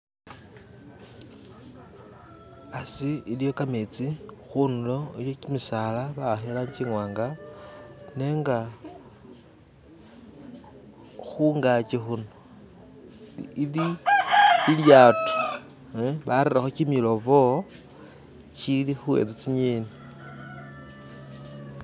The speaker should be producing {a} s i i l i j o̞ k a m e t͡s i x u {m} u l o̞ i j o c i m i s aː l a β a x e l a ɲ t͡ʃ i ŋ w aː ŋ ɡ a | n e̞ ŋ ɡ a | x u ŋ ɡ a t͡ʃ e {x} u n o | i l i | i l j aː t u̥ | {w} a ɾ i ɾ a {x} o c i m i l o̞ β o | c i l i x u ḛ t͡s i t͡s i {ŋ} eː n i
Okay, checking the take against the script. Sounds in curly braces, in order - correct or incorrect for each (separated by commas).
correct, incorrect, correct, incorrect, correct, incorrect